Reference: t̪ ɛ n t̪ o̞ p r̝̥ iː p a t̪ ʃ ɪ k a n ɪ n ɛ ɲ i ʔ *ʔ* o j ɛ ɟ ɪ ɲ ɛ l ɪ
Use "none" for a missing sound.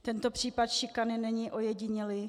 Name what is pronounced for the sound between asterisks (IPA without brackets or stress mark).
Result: ʔ